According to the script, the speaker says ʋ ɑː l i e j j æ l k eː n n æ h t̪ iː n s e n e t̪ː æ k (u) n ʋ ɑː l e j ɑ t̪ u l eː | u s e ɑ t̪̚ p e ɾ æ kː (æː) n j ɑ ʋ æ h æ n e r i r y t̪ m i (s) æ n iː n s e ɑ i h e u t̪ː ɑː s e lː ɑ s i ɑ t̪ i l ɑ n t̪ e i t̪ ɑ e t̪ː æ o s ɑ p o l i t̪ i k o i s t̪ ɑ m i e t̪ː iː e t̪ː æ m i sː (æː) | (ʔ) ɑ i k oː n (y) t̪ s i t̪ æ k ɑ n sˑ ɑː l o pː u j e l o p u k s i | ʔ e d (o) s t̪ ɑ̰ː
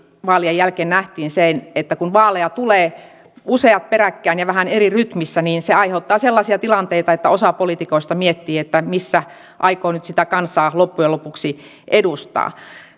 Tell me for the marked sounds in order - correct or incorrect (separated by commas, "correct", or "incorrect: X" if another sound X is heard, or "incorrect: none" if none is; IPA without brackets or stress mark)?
correct, correct, incorrect: sː, incorrect: æ, correct, correct, incorrect: u